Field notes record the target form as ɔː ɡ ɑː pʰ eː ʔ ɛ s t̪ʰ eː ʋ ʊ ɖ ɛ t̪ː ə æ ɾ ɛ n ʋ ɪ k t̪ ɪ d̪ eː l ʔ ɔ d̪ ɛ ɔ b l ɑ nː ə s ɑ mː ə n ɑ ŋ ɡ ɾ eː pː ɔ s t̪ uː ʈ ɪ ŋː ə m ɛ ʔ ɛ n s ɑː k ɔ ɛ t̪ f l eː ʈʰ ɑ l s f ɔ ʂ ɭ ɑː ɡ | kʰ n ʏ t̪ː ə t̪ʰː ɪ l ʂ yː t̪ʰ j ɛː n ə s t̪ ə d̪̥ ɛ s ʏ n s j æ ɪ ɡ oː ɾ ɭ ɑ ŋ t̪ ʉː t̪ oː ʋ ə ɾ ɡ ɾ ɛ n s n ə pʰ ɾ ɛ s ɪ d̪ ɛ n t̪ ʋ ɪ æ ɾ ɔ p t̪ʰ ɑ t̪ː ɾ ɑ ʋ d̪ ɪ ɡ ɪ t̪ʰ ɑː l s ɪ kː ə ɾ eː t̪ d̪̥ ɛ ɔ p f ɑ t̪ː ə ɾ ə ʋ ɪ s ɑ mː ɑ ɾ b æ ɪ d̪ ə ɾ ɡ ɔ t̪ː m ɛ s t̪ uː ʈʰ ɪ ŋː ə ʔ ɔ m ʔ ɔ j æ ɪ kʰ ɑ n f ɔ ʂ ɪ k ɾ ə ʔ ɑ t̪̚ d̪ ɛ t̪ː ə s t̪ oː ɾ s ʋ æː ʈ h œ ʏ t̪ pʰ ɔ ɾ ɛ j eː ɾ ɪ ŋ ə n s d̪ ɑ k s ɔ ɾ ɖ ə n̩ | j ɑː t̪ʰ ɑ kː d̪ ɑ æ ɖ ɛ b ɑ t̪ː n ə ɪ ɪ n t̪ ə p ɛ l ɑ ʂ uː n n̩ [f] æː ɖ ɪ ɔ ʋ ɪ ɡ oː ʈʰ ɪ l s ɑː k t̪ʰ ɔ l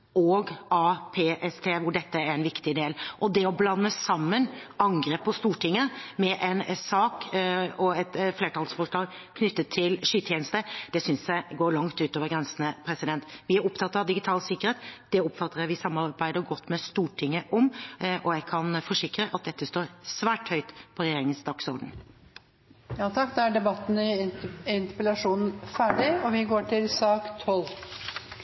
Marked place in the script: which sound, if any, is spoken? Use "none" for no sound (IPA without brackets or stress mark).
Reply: f